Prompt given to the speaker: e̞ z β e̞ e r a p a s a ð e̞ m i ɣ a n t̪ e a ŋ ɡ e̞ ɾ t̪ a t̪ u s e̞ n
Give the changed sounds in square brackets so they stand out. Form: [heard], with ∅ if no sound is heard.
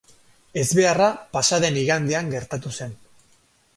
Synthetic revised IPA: e̞ z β e̞ [a] r a p a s a ð e̞ [n] i ɣ a n [d̪] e a ŋ ɡ e̞ ɾ t̪ a t̪ u s e̞ n